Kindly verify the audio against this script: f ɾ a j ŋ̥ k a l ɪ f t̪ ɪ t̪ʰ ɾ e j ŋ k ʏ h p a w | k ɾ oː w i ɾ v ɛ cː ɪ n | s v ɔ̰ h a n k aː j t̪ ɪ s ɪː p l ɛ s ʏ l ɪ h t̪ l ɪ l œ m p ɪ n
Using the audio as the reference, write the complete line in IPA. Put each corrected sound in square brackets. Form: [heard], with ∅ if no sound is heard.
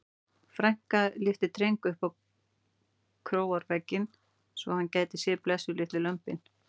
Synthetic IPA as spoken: f ɾ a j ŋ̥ k a l ɪ f t̪ ɪ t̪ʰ ɾ e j ŋ k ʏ h p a w | [kʰ] ɾ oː w [a] ɾ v ɛ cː ɪ n | s v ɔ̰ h a n [c] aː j t̪ ɪ s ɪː p l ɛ s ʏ l ɪ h t̪ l ɪ l œ m p ɪ n